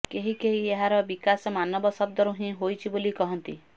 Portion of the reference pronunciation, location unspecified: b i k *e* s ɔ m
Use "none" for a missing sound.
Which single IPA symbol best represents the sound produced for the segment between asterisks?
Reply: a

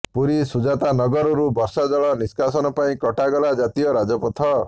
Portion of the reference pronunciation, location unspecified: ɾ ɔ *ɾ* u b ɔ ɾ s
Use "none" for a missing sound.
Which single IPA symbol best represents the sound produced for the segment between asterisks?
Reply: ɾ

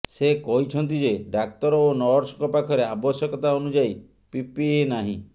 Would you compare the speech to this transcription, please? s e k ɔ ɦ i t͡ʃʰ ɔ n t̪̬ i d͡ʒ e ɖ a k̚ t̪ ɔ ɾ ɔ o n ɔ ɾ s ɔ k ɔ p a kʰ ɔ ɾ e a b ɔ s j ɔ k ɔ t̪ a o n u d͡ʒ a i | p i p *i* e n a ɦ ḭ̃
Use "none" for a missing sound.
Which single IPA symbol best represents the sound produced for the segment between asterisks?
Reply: i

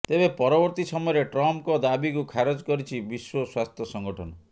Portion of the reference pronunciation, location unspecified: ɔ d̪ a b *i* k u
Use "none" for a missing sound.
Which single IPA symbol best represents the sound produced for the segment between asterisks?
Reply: i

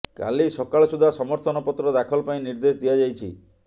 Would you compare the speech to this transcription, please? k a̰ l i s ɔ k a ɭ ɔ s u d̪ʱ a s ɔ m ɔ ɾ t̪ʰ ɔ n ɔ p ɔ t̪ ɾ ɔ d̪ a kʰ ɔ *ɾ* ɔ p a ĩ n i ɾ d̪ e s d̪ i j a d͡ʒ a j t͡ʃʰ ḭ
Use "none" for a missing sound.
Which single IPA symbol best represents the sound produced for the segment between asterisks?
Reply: l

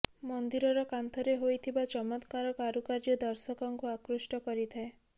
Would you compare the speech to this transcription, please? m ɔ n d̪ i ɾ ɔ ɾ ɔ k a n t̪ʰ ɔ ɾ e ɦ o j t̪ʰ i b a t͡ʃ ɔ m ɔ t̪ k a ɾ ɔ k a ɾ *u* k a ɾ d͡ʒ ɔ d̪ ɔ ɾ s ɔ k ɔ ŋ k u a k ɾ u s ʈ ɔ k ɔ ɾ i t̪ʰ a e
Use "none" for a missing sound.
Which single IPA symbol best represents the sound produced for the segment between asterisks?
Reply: u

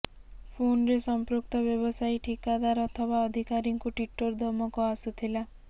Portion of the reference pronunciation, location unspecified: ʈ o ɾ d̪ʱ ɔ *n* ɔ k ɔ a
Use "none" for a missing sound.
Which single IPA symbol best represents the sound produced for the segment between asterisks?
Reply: m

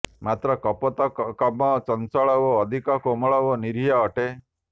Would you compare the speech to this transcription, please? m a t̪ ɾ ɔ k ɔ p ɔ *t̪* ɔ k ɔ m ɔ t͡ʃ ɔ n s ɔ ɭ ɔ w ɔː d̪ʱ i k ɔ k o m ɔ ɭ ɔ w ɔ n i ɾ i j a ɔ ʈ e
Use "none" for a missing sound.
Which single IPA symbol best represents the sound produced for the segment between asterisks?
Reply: t̪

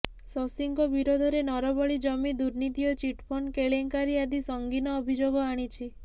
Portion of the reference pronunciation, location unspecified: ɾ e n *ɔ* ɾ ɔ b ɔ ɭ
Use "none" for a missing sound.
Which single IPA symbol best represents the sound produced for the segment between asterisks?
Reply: ɔ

